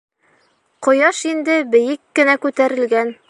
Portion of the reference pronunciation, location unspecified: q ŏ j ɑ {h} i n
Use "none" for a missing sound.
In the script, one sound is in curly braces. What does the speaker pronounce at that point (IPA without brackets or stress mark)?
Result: ʃ